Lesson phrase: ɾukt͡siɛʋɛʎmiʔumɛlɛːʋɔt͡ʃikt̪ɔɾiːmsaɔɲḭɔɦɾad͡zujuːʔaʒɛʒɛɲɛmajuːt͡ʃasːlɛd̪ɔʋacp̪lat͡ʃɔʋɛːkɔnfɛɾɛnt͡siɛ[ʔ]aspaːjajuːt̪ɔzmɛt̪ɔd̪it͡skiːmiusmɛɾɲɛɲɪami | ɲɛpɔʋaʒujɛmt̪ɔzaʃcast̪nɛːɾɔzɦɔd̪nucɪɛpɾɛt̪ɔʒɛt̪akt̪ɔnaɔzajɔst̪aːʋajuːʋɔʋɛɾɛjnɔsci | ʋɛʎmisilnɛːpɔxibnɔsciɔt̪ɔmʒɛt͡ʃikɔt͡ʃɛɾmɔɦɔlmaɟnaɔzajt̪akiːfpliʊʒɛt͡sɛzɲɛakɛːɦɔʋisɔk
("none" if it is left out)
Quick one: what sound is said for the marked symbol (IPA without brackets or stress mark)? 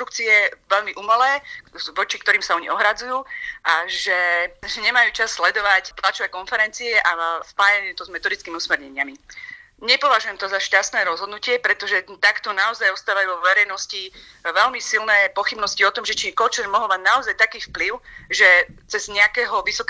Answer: ʔ